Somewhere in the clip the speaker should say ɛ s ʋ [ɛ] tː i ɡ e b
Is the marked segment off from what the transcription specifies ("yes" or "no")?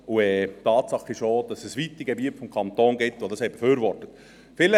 yes